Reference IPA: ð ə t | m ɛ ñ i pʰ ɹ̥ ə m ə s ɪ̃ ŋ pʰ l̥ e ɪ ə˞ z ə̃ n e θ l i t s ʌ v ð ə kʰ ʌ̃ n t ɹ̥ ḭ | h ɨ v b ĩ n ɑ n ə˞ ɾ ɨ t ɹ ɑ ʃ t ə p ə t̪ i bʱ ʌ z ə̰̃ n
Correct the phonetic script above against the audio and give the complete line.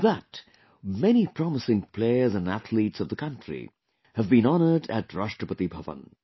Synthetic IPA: ð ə t | m ɛ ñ i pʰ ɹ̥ ɑ m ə s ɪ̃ ŋ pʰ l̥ e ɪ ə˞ z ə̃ n æ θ l i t s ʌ v ð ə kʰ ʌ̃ n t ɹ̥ ḭ | h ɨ v b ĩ n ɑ n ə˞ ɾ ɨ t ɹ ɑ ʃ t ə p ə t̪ i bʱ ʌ v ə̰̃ n